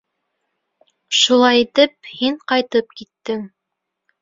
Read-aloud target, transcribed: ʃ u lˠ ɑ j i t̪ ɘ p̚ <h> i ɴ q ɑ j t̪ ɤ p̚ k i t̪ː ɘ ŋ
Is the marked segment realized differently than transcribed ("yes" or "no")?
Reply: no